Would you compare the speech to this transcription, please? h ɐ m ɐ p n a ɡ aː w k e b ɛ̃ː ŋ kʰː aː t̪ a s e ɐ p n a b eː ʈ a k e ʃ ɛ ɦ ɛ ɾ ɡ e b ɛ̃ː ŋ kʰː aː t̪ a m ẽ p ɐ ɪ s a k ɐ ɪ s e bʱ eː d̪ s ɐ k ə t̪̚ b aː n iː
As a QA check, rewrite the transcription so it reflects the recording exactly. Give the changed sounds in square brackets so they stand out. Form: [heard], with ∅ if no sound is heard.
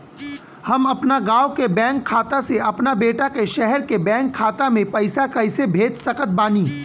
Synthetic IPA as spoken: h ɐ m ɐ p n a ɡ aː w k e b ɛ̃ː ŋ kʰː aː t̪ a s e ɐ p n a b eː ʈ a k e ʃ ɛ ɦ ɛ ɾ [k] e b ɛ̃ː ŋ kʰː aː t̪ a m ẽ p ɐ ɪ s a k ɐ ɪ s e bʱ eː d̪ s ɐ k ə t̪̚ b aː n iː